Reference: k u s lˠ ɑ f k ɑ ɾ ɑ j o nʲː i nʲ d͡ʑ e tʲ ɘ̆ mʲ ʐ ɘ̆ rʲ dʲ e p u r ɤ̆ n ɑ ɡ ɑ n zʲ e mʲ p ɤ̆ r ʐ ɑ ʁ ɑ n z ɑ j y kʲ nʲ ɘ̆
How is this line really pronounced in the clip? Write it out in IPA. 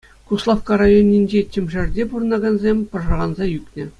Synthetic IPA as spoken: k u s lˠ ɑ f k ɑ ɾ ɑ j o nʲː i nʲ d͡ʑ e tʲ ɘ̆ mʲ ʐ ɘ̆ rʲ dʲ e p u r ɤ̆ n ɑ ɡ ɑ n zʲ e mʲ p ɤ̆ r ʐ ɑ ʁ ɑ n z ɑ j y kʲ nʲ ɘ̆